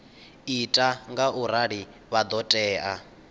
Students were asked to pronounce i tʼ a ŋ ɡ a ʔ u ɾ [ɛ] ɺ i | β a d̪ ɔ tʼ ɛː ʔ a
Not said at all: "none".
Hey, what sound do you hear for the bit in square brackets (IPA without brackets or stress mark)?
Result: a